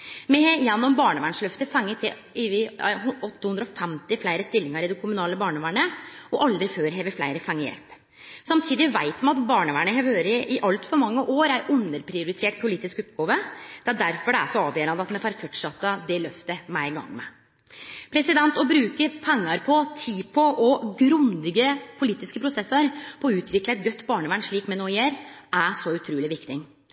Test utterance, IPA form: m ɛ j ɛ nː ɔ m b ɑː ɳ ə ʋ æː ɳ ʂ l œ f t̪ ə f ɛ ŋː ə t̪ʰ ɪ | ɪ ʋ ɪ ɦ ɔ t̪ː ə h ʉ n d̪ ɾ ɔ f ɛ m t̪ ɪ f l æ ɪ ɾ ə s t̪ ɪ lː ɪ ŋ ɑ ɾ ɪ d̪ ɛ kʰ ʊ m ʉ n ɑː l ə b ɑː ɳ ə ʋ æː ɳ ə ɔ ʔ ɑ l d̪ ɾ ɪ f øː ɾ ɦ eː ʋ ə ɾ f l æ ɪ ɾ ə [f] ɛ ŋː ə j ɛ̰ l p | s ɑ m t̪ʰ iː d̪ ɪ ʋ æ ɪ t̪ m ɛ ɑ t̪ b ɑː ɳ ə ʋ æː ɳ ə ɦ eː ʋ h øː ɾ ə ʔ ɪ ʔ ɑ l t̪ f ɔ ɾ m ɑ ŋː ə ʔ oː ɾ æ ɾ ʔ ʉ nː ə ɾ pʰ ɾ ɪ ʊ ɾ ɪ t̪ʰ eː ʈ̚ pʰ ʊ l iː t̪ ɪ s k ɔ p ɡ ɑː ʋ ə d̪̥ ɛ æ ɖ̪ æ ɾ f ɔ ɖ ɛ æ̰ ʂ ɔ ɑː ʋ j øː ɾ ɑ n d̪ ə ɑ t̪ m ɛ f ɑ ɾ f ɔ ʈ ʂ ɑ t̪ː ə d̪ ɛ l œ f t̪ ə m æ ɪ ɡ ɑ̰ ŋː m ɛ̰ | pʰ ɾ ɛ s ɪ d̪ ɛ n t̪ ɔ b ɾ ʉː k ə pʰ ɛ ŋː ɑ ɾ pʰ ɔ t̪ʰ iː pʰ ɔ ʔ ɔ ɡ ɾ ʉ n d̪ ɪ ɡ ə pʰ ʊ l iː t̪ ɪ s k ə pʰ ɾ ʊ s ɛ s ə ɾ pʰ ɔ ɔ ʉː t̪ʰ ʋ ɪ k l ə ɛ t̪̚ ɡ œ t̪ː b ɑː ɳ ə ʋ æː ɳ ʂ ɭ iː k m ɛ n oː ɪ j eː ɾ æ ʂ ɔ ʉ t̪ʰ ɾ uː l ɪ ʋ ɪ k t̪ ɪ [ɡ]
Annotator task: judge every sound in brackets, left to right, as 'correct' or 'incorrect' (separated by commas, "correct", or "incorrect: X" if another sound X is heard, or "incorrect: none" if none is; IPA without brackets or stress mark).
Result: correct, incorrect: ŋ